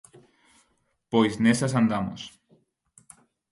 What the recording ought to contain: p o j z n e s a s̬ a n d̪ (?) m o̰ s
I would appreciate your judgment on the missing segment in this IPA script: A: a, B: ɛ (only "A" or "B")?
A